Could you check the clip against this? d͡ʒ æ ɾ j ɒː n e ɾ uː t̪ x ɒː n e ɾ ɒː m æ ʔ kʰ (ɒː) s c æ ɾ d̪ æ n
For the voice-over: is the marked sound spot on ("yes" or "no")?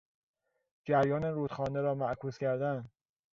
no